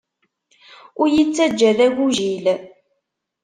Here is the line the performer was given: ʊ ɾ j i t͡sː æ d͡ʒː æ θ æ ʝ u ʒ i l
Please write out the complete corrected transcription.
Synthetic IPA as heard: ʊ ɾ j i t͡sː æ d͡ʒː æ ð æ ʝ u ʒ i l